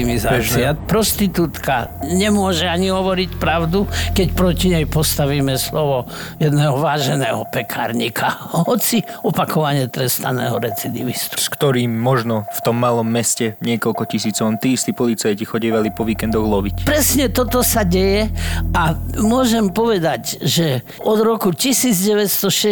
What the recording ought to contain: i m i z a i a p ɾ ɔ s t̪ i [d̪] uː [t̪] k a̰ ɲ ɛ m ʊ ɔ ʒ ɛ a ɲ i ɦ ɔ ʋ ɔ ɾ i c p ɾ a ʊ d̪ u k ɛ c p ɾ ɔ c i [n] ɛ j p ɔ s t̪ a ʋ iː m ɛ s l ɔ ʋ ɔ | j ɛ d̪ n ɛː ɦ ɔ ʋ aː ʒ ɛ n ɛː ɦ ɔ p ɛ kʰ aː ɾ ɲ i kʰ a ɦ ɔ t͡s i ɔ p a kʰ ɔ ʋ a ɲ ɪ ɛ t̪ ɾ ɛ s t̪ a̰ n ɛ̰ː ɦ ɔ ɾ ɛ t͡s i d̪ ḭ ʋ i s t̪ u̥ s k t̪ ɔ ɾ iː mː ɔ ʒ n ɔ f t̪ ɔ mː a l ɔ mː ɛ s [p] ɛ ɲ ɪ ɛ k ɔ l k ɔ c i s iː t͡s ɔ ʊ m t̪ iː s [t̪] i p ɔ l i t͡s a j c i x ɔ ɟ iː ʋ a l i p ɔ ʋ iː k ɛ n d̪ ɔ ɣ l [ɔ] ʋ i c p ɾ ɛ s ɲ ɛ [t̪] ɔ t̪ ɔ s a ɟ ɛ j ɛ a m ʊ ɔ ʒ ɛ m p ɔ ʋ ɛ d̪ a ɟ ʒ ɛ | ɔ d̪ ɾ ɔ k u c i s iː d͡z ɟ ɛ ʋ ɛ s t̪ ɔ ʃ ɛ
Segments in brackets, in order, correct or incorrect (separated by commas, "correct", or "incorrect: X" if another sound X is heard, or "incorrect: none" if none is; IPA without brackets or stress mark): incorrect: t̪, correct, incorrect: ɲ, incorrect: c, correct, correct, correct